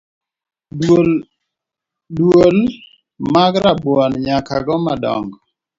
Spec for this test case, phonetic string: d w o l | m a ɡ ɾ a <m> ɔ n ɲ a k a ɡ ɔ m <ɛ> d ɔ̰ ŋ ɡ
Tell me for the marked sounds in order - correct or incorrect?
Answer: incorrect, incorrect

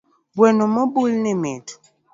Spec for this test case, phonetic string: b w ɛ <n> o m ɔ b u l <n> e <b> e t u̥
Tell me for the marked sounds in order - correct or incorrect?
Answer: correct, correct, incorrect

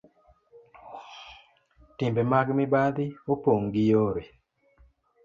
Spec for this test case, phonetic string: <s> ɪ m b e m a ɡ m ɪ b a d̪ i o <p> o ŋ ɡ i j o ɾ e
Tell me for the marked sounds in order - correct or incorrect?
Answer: incorrect, correct

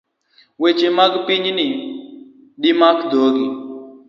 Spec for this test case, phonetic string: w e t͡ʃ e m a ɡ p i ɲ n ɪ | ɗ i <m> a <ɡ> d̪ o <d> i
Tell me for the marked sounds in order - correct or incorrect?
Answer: correct, incorrect, incorrect

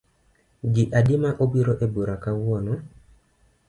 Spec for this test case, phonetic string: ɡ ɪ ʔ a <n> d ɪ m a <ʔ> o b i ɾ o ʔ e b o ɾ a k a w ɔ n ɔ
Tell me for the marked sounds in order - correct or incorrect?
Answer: incorrect, correct

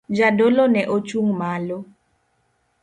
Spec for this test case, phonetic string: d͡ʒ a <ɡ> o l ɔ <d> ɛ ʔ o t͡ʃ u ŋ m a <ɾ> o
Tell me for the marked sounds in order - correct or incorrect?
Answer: incorrect, incorrect, incorrect

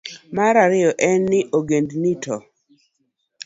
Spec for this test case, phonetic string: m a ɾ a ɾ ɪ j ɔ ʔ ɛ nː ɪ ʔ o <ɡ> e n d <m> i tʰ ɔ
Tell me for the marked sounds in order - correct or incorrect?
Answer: correct, incorrect

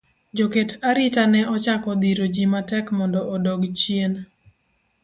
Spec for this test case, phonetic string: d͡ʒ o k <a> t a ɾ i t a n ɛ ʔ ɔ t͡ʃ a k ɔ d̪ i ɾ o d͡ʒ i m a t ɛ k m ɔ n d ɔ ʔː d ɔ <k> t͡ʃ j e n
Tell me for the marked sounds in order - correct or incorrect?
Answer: incorrect, incorrect

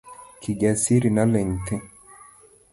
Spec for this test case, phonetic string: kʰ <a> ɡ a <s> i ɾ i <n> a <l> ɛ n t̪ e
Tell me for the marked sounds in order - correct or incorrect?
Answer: incorrect, correct, correct, correct

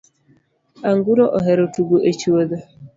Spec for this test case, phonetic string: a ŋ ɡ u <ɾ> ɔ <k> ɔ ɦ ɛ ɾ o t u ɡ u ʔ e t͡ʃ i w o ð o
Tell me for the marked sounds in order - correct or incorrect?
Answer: correct, incorrect

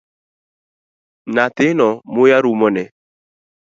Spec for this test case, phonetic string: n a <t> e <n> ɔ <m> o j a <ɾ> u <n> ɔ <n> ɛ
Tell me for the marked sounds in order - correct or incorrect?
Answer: correct, correct, correct, correct, incorrect, correct

